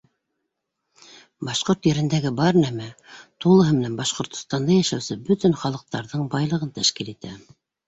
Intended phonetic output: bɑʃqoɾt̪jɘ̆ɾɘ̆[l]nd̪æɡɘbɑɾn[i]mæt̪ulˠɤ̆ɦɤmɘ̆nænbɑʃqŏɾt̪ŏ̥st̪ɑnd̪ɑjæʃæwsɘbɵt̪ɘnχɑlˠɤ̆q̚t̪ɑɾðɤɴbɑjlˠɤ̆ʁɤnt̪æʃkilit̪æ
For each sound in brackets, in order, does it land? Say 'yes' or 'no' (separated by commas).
no, no